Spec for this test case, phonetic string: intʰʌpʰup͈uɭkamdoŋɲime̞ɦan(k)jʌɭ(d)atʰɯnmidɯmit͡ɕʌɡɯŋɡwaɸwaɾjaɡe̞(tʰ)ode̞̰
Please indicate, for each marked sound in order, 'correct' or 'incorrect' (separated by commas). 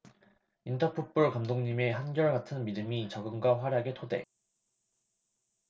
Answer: incorrect, incorrect, correct